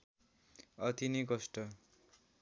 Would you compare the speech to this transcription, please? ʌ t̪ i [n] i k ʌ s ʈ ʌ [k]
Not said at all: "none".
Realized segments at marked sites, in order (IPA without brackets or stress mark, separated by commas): n, none